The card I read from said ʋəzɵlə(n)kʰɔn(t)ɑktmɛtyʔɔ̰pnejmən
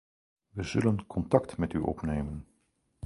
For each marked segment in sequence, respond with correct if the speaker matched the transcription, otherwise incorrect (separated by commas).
correct, correct